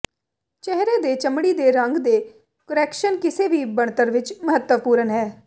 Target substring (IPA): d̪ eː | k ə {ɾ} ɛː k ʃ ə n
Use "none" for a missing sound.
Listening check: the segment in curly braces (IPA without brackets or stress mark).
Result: ɾ